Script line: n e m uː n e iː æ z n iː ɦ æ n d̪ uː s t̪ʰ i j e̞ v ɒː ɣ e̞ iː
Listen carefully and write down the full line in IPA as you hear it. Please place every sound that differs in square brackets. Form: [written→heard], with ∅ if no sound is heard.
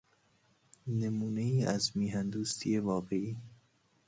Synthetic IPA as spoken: n e m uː n e iː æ z [n→m] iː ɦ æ n d̪ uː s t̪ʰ i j e̞ v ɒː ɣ e̞ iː